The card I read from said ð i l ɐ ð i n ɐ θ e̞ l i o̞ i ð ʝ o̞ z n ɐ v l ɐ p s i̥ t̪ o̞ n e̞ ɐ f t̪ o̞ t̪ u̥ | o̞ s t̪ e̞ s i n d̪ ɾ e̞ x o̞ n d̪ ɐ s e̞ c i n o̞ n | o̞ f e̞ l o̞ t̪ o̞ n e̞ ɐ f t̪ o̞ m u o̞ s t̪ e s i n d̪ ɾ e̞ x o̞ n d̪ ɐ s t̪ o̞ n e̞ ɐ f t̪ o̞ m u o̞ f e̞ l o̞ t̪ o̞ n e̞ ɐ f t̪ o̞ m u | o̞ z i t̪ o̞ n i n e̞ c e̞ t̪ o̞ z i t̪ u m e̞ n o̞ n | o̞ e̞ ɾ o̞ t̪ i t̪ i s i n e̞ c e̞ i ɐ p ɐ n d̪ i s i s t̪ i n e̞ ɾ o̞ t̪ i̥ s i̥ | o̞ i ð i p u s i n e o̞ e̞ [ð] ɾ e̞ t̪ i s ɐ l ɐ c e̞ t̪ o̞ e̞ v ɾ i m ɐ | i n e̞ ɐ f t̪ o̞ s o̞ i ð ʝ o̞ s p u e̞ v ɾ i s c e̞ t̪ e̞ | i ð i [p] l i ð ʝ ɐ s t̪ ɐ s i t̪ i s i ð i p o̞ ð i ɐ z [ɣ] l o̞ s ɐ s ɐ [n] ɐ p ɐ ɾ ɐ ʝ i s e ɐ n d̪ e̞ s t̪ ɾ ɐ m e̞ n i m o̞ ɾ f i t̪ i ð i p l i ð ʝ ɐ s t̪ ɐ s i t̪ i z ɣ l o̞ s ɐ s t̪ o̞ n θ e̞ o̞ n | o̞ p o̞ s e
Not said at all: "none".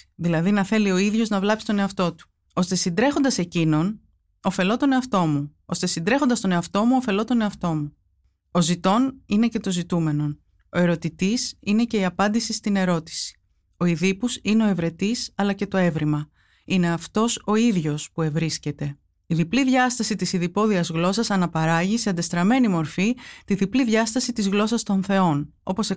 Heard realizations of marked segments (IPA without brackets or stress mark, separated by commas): v, p, ɣ, n